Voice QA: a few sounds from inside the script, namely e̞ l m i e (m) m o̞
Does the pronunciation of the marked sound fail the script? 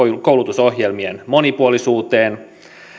yes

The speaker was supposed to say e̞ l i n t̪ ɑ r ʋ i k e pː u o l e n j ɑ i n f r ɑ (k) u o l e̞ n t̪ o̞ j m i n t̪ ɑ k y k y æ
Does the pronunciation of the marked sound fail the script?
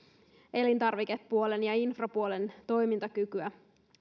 yes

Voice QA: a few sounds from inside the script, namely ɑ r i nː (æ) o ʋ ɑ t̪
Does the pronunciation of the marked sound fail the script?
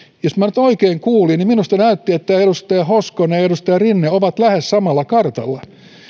yes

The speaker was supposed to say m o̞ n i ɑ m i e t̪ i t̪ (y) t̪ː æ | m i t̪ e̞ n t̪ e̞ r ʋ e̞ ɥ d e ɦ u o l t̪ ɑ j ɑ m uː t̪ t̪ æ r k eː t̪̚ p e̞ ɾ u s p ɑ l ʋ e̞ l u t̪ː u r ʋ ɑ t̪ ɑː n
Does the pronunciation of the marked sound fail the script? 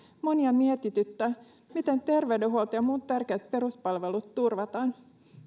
no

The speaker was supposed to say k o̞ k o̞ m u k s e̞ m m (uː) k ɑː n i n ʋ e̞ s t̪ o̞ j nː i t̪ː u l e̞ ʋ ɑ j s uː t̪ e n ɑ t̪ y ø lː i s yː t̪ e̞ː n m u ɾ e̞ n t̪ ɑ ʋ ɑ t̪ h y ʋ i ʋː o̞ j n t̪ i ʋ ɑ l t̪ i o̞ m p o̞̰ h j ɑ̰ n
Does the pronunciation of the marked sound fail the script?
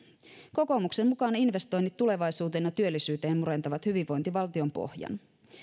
yes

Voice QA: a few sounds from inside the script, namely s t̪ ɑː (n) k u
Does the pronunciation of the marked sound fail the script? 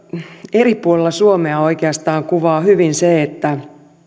yes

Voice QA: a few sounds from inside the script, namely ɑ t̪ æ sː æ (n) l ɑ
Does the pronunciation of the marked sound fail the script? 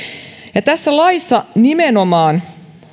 yes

